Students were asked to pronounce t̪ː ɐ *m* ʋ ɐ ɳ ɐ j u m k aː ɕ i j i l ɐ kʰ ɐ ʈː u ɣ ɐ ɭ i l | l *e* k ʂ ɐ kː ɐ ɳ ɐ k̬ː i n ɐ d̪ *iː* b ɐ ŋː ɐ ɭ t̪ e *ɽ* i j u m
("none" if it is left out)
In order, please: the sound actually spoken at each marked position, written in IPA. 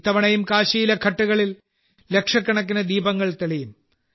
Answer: none, e, iː, ɭ

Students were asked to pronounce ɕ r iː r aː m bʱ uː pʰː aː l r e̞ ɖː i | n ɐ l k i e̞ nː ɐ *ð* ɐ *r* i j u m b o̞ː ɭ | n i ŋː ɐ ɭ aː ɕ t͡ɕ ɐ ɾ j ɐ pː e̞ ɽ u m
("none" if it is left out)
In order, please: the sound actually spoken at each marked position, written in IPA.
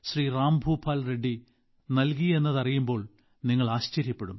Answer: ð, r

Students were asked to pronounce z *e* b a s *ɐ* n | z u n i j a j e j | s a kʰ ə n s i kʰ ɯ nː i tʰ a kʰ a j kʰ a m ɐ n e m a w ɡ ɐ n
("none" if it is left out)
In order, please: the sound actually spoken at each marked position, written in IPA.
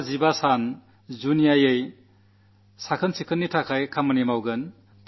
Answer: i, a

